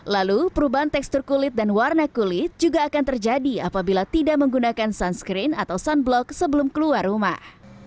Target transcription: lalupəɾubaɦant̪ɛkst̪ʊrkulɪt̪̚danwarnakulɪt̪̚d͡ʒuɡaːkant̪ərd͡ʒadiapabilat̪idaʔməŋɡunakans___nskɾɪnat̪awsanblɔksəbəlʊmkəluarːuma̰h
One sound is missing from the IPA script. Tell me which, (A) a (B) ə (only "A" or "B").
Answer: A